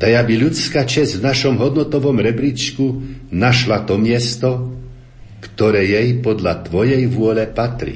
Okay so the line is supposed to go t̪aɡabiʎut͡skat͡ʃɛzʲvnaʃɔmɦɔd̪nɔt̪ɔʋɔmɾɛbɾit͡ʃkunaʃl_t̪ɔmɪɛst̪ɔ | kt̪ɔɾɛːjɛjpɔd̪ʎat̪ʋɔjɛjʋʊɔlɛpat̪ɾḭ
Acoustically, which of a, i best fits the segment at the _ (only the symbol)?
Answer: a